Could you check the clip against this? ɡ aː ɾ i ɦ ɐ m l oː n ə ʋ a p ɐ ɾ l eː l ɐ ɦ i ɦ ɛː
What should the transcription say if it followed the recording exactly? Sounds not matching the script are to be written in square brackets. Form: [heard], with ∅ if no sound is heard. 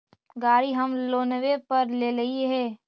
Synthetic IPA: ɡ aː ɾ i ɦ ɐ m l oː n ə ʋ [e] p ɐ ɾ l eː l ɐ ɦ i ɦ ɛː